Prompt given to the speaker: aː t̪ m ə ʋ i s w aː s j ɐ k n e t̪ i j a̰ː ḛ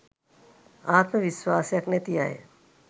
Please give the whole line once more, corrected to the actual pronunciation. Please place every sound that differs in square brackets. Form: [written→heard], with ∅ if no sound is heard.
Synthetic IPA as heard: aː t̪ m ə ʋ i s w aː s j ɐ k n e t̪ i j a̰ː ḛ